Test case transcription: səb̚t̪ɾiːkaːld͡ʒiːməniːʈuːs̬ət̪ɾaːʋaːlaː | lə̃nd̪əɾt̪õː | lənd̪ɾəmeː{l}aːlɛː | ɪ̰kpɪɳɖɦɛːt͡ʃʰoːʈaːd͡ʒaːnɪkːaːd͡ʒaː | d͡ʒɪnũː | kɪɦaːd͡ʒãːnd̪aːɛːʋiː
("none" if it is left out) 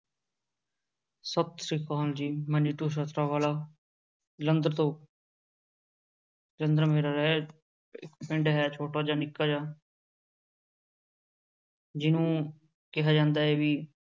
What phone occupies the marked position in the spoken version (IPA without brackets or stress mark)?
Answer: ɾ